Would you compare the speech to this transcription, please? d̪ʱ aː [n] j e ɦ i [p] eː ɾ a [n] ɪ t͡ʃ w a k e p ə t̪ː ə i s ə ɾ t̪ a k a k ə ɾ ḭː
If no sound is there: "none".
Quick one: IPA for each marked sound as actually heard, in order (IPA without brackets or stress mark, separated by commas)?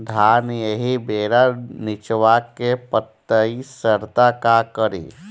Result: n, b, n